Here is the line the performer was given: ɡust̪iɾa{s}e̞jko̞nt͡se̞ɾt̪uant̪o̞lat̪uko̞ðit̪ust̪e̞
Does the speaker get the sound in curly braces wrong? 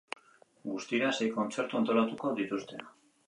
no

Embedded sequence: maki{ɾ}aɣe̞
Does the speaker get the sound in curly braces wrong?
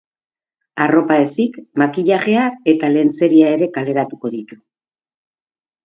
yes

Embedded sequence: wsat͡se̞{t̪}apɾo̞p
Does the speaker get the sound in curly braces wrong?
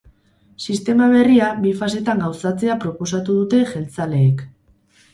yes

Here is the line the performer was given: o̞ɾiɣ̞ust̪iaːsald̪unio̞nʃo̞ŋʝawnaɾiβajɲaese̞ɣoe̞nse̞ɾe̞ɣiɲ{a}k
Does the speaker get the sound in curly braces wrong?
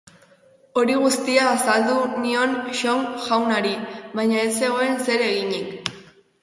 yes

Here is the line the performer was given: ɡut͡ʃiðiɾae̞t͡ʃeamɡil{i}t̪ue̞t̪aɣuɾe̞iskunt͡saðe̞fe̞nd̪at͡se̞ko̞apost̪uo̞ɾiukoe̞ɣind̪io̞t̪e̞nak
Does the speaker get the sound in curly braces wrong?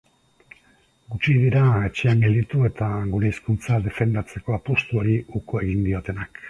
no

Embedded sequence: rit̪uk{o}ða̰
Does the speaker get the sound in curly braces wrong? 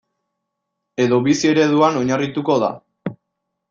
no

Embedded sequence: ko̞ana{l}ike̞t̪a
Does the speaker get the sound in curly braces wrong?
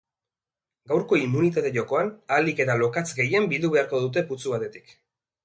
no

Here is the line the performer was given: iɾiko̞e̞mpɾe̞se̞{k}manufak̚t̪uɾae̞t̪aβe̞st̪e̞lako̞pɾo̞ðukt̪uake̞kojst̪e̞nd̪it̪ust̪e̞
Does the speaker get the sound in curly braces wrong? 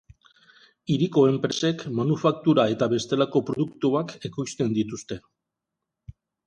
no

